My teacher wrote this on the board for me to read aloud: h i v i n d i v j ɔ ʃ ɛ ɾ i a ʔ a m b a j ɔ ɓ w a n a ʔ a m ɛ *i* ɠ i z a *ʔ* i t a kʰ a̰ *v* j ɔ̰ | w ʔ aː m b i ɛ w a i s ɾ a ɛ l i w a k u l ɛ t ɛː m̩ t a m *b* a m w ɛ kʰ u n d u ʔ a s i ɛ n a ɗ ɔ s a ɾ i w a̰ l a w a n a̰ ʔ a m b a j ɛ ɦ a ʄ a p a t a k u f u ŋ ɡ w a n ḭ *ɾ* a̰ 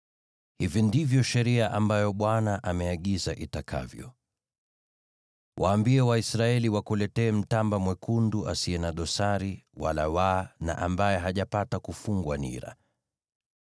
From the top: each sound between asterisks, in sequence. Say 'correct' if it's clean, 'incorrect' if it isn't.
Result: incorrect, correct, correct, correct, correct

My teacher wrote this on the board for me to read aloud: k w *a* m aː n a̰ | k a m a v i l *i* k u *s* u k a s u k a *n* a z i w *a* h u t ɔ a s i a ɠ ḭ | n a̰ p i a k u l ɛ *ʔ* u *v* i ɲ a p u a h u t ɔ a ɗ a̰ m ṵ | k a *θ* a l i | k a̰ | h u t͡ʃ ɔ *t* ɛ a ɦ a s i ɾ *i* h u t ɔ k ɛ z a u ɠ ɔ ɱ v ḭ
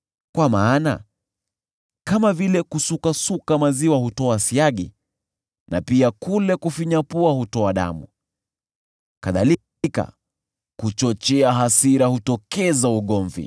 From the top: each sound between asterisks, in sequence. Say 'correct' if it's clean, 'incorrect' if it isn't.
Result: correct, incorrect, correct, incorrect, correct, incorrect, incorrect, incorrect, incorrect, incorrect

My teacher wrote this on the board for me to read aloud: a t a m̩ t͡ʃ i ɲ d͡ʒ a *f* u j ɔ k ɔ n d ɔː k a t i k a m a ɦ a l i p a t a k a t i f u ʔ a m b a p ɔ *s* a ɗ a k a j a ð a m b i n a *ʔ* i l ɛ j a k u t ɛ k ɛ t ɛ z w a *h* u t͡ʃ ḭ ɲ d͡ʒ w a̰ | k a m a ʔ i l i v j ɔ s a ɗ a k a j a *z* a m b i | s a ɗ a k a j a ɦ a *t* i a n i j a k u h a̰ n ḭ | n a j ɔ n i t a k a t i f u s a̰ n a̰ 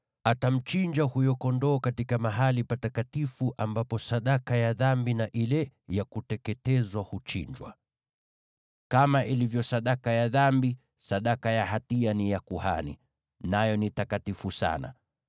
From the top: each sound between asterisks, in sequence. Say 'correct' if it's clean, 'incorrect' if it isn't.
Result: incorrect, correct, correct, correct, incorrect, correct

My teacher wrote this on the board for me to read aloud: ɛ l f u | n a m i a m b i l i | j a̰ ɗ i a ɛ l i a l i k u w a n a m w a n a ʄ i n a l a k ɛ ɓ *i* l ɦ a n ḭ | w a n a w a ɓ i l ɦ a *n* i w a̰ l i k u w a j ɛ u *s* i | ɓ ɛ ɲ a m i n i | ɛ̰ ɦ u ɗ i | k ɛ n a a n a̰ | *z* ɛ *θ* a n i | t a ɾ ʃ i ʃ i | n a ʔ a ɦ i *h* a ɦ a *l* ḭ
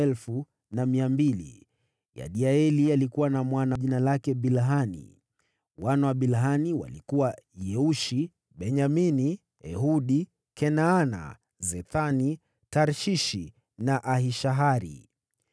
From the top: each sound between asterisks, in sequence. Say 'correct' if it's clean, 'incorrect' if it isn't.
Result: correct, correct, incorrect, correct, correct, incorrect, incorrect

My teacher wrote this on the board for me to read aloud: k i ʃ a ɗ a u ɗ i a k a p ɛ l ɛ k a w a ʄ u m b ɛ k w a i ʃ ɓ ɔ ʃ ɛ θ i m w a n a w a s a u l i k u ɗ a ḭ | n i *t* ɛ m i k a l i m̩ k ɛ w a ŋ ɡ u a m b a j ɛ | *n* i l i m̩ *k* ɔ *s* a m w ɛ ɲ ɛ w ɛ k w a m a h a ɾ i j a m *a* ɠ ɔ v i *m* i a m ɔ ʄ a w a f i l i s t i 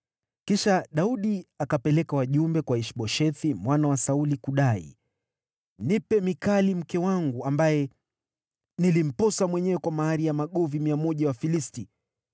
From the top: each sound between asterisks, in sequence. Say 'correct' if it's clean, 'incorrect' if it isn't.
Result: incorrect, correct, incorrect, correct, correct, correct

